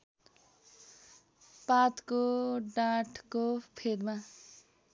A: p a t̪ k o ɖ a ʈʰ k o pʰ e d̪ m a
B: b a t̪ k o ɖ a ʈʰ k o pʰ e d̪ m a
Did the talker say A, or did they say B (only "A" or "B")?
A